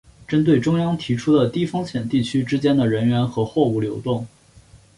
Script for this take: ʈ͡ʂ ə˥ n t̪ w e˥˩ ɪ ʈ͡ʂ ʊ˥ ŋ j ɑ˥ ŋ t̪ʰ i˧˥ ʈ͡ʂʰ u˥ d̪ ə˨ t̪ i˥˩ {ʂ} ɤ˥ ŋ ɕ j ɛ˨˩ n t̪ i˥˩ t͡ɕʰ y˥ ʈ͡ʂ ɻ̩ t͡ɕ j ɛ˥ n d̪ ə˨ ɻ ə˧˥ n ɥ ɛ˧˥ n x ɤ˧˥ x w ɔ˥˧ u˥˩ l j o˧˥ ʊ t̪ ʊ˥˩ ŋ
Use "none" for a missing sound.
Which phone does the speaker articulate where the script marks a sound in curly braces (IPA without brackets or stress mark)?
f